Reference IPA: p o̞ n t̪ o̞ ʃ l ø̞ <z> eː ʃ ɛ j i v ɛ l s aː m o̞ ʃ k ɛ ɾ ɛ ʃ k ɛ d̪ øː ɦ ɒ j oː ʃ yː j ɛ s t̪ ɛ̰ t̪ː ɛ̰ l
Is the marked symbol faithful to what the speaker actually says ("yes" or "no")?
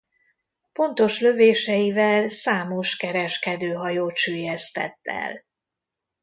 no